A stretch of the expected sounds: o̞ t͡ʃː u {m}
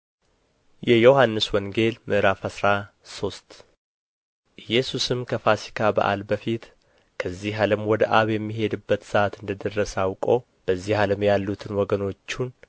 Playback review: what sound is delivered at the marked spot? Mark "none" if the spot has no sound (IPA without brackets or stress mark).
n